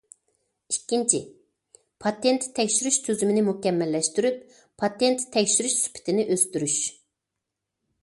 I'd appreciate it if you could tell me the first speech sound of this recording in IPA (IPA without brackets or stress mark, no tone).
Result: i